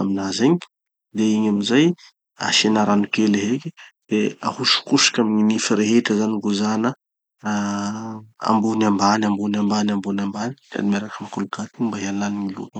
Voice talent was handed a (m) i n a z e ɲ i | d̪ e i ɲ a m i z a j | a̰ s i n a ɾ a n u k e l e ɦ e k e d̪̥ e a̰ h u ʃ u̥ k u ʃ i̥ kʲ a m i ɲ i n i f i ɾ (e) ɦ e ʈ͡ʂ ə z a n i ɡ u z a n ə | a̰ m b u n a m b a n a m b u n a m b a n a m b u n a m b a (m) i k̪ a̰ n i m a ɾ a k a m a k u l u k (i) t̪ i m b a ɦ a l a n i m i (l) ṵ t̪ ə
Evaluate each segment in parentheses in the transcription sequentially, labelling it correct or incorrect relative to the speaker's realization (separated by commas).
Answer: correct, correct, incorrect, incorrect, correct